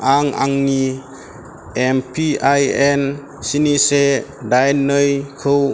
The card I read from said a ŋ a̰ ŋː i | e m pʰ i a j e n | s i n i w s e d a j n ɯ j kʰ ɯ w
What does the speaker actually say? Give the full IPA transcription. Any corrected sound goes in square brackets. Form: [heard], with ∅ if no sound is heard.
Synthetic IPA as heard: a ŋ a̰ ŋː i | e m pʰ i a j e n | s i n i [∅] s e d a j n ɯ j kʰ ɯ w